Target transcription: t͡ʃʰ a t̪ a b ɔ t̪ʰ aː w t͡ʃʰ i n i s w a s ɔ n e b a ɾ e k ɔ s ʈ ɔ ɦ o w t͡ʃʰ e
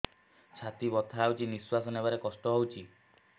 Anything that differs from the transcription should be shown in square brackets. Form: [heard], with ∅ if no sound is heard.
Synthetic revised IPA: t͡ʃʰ a t̪ [i] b ɔ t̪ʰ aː w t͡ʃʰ i n i s w a s ɔ n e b a ɾ e k ɔ s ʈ ɔ ɦ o w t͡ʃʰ [i]